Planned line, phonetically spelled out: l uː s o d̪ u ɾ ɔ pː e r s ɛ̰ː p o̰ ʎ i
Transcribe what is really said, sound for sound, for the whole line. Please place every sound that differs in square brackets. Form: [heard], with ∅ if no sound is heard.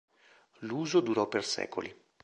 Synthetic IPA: l uː [z] o d̪ u ɾ ɔ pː e r s ɛ̰ː [k] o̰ [l] i